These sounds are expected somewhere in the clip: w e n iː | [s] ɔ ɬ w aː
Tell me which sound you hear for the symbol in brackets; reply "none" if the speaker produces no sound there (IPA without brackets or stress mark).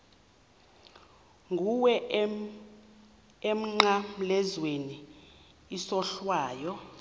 s